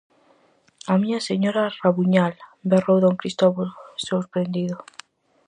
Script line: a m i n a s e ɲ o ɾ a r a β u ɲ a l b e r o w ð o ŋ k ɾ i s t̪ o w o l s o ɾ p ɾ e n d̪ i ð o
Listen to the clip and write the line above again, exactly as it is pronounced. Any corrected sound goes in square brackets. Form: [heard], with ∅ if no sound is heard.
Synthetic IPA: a m i [ɲ] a s e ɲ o ɾ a r a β u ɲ a l b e r o w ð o ŋ k ɾ i s t̪ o [β] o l s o ɾ p ɾ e n d̪ i ð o